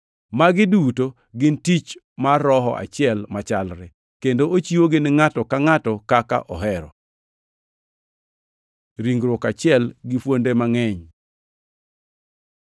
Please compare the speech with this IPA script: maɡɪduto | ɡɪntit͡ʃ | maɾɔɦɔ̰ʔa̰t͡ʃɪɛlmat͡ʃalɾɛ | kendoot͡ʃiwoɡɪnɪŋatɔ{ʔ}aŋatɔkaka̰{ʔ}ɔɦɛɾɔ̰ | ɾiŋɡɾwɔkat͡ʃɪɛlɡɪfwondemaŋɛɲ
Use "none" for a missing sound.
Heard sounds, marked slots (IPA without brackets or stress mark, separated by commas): k, ʔ